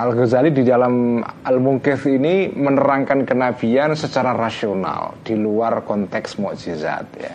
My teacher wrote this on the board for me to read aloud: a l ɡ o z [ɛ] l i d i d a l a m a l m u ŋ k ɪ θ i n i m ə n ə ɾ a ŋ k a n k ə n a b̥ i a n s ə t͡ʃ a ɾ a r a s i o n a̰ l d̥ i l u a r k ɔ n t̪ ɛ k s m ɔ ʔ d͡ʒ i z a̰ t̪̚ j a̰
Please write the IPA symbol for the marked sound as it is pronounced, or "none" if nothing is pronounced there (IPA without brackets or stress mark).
a